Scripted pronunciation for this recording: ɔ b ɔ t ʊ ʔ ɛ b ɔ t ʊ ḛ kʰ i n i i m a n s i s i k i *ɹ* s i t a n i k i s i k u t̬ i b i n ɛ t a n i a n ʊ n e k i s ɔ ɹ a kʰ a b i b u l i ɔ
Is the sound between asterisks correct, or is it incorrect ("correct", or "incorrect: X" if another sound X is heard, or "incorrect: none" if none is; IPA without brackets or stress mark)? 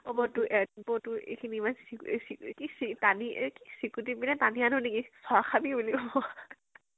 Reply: incorrect: none